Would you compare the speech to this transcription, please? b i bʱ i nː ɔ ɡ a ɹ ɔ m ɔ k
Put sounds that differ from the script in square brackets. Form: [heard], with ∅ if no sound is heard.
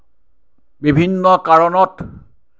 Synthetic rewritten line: b i bʱ i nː ɔ [k] a ɹ ɔ [n] ɔ [t]